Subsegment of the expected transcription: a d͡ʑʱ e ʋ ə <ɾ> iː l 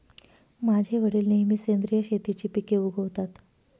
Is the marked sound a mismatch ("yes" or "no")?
yes